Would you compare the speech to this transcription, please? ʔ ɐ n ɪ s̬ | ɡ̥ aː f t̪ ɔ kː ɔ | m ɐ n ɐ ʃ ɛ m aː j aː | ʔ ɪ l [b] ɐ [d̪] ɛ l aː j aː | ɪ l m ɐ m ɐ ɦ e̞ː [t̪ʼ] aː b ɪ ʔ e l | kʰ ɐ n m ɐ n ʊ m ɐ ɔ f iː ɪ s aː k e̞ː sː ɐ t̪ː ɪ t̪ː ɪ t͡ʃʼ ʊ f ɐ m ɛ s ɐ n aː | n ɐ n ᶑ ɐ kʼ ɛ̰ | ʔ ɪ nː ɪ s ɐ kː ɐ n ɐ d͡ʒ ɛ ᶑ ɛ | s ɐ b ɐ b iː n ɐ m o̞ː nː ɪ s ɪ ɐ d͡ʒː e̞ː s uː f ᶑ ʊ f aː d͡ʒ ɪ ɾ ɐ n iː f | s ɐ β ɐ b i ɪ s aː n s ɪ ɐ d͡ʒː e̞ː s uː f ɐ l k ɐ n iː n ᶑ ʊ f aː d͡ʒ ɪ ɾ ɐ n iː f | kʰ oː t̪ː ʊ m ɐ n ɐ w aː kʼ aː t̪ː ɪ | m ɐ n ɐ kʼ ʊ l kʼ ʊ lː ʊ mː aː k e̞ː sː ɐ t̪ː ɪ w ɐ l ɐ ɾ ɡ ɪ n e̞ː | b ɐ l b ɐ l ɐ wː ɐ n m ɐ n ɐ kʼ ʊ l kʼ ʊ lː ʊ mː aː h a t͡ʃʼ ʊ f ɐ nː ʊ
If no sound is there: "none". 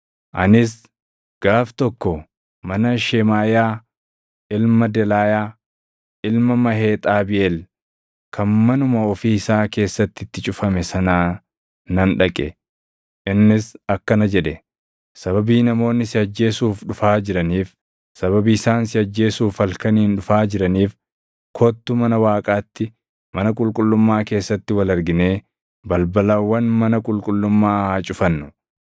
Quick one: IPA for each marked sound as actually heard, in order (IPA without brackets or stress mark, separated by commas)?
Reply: m, d̪, t̪ʼ